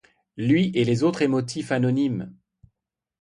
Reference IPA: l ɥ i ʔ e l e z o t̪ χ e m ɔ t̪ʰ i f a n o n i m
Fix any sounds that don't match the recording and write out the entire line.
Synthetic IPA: l ɥ i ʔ e l e z o t̪ χ e m ɔ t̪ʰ i f a n ɔ n i m